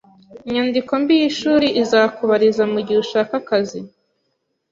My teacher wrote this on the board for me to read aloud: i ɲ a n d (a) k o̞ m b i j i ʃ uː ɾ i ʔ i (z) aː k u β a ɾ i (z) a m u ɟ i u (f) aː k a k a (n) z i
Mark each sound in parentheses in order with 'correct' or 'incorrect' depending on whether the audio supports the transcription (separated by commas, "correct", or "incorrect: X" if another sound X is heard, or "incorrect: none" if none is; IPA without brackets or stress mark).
incorrect: i, correct, correct, incorrect: ʃ, incorrect: none